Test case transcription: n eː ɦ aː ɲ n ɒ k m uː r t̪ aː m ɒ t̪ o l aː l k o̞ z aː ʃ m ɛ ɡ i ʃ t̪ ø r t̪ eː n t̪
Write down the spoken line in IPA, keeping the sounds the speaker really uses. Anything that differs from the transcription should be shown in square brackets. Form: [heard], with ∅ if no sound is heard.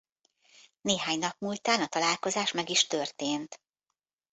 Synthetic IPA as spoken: n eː ɦ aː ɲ n ɒ [p] m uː [l] t̪ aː [n] ɒ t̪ [ɒ] l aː l k o̞ z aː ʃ m ɛ ɡ i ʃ t̪ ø r t̪ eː n t̪